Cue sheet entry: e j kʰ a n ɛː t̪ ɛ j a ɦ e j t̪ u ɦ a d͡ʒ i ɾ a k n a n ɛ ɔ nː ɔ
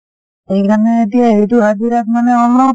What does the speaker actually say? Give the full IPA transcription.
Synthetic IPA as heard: e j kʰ a n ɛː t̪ i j a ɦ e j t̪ u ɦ a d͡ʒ i ɾ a k m a n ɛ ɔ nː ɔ